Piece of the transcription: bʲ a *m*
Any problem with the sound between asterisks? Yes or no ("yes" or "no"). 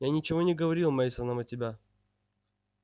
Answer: yes